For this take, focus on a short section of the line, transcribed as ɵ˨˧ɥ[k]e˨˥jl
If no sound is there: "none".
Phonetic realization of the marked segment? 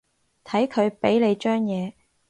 p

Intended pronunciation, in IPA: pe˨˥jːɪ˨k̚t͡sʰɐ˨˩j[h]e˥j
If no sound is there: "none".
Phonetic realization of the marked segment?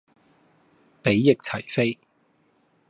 f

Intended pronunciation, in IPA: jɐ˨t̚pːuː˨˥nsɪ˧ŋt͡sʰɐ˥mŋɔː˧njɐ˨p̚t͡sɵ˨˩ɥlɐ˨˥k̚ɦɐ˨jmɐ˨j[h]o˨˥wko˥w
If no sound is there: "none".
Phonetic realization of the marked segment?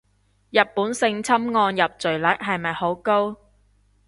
h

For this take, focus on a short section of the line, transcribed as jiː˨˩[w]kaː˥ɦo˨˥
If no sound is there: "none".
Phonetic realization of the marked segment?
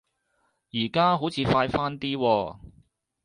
none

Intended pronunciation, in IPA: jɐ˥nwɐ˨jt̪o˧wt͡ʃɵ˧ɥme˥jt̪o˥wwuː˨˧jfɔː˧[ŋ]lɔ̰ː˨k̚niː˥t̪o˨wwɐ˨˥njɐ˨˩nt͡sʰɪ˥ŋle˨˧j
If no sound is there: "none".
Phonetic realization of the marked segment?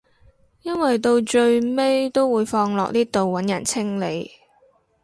ŋ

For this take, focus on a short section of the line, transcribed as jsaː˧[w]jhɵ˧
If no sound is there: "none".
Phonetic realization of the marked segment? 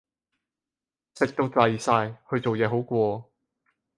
none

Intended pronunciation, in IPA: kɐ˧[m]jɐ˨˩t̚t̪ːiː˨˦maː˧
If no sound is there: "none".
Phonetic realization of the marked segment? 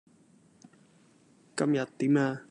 m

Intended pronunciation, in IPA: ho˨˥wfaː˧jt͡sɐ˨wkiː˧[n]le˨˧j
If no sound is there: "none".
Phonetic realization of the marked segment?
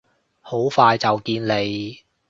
n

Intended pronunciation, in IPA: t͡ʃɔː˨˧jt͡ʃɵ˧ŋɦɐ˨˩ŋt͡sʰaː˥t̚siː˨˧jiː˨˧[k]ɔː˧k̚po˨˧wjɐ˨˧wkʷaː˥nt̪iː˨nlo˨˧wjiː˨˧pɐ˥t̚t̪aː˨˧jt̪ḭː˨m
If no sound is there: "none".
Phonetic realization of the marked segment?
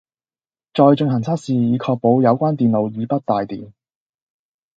kʰ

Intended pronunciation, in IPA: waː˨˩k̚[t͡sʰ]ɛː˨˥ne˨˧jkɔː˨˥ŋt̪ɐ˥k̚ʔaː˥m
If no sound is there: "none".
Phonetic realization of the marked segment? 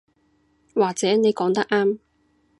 t͡s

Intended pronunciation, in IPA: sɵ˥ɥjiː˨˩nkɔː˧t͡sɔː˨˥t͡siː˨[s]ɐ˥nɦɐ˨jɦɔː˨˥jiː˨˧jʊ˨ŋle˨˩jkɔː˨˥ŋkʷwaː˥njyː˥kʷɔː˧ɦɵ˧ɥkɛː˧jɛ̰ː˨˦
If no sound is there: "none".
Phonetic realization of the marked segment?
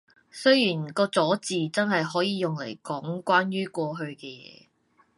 t͡s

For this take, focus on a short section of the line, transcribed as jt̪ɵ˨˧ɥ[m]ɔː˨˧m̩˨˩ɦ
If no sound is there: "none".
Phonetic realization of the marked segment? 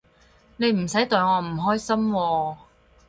ŋ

